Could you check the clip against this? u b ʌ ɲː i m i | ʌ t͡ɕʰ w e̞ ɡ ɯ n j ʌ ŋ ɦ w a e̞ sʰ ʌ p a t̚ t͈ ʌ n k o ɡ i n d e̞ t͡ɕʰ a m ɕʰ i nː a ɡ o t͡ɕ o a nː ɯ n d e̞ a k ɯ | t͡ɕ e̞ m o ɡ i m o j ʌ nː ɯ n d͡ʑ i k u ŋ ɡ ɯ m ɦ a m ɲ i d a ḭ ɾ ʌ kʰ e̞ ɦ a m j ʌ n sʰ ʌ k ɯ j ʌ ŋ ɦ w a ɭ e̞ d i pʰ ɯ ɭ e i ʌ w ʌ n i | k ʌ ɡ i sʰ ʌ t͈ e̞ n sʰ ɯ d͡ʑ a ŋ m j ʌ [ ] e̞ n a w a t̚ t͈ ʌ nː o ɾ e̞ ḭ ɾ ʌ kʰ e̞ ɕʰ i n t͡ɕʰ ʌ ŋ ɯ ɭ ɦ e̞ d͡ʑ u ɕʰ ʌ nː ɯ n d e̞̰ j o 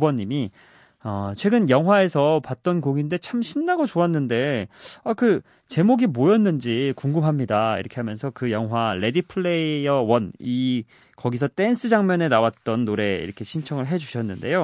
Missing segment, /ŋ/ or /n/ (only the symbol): n